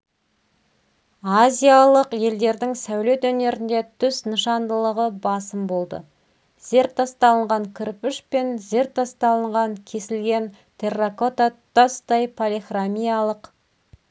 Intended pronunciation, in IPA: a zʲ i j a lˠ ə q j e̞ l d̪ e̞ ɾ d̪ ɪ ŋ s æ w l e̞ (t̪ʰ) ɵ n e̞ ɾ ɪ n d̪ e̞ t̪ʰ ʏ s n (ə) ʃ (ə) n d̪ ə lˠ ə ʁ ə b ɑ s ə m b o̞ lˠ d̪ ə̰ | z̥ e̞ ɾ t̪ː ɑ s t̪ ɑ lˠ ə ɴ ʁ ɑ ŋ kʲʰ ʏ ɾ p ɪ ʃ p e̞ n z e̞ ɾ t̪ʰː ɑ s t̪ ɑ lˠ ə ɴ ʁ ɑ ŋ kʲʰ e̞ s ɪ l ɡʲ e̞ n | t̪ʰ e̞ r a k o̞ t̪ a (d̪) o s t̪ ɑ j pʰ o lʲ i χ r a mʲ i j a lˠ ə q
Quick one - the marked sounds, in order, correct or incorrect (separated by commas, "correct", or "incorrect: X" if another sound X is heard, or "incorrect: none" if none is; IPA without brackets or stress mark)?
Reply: incorrect: t̪, correct, incorrect: ɑ, incorrect: t̪